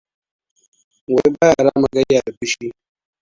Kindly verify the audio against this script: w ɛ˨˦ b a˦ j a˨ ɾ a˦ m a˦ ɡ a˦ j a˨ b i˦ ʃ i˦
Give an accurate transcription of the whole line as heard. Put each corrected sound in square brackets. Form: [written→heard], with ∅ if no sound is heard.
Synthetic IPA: w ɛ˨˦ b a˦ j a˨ ɾ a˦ m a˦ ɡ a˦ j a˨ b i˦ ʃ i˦